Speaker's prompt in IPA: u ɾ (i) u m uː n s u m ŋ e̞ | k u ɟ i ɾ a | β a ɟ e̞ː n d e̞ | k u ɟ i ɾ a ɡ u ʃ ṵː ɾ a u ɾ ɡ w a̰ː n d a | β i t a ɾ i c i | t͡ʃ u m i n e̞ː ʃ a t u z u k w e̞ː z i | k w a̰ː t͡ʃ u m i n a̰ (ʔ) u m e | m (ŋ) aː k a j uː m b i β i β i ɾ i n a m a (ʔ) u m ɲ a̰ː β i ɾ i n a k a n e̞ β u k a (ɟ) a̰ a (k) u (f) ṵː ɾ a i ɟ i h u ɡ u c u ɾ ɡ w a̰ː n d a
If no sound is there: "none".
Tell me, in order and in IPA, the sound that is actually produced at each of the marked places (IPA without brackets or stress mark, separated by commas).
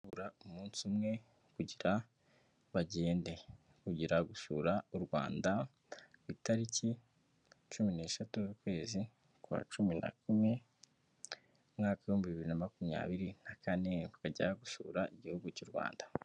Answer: a, k, ŋ, k, ɟ, ɡ, ʃ